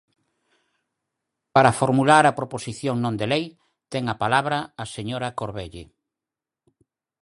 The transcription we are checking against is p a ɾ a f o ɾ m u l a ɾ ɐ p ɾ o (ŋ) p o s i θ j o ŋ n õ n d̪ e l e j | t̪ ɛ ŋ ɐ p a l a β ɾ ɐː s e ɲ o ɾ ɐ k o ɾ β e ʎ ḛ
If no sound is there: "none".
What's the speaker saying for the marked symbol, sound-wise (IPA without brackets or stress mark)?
none